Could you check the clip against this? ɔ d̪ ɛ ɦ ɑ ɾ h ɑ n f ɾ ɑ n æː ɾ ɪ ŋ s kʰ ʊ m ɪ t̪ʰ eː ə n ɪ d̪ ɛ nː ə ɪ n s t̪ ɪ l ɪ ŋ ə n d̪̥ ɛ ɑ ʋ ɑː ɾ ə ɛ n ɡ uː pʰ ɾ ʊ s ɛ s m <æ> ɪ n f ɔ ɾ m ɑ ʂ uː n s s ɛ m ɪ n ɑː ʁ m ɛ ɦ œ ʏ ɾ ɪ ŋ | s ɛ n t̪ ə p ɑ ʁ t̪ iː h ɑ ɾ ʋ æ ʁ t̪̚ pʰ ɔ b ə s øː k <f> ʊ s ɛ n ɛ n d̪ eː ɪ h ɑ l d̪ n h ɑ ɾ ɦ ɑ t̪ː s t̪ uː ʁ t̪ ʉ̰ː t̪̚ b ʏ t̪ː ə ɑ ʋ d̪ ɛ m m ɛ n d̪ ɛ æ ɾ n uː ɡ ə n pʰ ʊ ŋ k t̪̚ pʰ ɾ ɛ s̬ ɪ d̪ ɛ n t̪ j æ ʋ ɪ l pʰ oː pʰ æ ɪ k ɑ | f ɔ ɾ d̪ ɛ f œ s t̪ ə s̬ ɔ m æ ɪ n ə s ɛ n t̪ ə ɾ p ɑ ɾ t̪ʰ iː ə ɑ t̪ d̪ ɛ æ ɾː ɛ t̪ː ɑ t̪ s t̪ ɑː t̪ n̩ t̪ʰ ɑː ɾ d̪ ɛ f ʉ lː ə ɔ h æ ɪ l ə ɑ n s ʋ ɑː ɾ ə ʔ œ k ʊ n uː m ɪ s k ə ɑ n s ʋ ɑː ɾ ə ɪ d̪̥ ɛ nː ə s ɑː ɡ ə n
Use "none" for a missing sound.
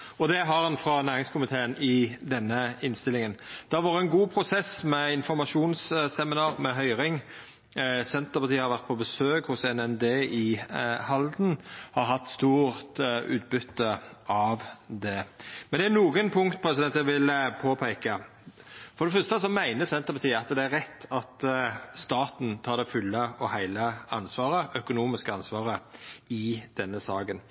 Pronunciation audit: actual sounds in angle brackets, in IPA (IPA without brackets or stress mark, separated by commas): ɛ, h